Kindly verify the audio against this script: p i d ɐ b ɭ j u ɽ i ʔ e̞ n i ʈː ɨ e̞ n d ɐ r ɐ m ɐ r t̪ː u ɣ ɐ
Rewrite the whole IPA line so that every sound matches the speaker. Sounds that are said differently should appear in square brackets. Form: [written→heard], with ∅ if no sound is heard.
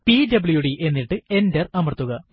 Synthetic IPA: p i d ɐ b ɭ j u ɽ i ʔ e̞ [n→nː] i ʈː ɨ e̞ n d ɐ r ɐ m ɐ r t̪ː u ɣ ɐ